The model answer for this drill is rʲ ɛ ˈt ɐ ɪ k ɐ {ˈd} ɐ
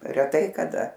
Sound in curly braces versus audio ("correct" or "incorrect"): correct